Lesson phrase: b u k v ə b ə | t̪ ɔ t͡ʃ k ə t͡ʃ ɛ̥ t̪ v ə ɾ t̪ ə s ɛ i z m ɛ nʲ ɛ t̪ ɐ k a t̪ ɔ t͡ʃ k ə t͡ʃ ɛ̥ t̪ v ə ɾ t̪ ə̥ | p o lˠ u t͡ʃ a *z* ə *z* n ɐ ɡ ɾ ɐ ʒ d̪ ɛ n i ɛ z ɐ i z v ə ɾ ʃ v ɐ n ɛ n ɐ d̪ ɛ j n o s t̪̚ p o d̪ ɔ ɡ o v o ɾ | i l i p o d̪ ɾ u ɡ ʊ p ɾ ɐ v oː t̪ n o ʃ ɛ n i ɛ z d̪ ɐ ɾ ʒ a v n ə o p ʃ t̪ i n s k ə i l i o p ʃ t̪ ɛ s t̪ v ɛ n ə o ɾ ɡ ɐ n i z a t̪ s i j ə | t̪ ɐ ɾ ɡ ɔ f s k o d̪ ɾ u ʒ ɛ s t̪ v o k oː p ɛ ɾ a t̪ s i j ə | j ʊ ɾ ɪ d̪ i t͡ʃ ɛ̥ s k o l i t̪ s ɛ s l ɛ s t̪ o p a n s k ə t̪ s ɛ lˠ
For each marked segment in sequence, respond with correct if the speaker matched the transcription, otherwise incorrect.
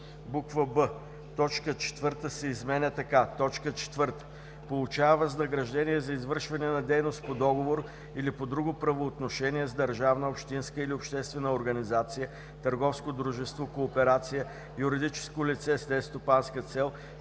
incorrect: v, correct

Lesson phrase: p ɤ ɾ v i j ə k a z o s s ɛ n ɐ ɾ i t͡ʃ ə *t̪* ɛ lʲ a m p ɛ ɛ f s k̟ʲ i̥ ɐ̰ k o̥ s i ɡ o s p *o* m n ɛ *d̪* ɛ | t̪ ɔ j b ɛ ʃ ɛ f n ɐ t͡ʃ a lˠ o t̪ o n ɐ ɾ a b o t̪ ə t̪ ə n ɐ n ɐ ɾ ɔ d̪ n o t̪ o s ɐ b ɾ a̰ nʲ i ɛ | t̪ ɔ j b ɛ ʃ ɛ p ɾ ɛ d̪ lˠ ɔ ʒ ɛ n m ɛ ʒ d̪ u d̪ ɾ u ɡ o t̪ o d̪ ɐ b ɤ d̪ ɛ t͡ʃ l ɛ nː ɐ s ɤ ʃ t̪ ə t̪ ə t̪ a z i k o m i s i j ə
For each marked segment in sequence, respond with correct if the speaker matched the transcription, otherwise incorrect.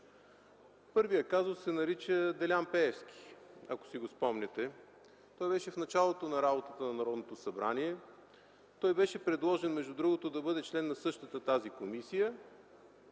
incorrect: d̪, incorrect: ɔ, incorrect: t̪

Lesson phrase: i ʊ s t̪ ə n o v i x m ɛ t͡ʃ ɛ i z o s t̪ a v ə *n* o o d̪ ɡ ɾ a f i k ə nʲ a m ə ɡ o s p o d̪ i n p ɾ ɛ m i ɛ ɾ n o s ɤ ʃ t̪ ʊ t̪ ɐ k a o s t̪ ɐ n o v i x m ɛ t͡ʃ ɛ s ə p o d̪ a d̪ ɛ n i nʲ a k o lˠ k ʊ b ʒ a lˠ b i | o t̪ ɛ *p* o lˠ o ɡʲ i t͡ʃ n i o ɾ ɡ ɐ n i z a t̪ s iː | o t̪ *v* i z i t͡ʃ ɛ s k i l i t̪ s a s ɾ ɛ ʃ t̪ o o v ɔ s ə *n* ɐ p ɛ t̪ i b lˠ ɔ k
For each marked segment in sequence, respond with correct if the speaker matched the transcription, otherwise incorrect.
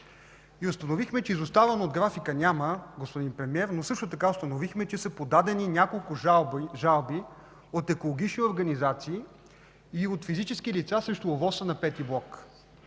correct, incorrect: k, incorrect: f, correct

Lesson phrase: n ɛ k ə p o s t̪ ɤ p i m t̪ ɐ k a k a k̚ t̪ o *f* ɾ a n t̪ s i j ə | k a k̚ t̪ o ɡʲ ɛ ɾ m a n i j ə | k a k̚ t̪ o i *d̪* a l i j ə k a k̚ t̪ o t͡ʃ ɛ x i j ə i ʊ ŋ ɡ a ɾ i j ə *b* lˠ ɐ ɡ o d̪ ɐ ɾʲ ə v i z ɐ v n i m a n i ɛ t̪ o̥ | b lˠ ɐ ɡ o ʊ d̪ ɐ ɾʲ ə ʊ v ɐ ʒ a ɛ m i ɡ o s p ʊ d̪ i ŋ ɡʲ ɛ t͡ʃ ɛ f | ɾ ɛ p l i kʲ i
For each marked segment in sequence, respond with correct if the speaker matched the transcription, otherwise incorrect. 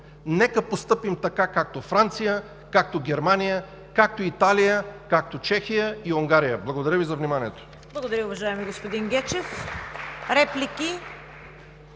correct, incorrect: t̪, correct

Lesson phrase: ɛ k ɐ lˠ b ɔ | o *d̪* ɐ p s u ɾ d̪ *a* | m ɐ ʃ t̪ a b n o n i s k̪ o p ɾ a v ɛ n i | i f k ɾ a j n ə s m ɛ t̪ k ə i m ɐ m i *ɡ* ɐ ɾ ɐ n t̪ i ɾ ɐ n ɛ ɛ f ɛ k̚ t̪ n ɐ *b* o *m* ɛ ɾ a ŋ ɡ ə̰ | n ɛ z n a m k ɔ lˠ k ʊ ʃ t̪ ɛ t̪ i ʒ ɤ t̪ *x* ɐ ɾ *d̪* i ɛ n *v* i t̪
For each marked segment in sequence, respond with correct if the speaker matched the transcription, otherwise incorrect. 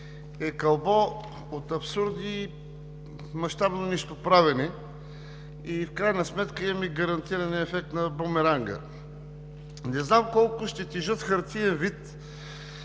incorrect: t̪, incorrect: i, correct, correct, correct, correct, incorrect: t̪, correct

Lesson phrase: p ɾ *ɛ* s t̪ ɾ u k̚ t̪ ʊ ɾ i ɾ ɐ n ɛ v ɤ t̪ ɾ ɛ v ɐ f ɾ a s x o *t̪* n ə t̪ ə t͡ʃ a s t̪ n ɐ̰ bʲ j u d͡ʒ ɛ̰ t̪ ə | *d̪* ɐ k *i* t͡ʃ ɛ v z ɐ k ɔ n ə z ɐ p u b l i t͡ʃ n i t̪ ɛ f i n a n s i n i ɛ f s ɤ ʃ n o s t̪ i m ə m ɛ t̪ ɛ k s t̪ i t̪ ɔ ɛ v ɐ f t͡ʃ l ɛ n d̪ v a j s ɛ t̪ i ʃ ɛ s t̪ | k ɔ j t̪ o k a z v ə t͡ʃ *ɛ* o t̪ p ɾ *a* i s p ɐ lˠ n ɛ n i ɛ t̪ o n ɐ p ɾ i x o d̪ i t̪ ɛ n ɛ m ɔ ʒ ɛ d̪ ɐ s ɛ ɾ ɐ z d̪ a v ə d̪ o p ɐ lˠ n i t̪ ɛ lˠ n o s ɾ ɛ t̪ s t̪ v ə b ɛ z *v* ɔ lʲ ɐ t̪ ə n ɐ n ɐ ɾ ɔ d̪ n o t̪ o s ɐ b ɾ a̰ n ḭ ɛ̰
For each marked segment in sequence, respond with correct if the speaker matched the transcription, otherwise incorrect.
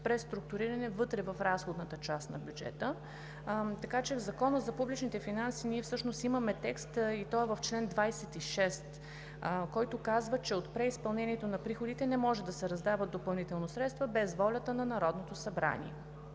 correct, incorrect: d̪, incorrect: t̪, incorrect: a, correct, incorrect: ɛ, correct

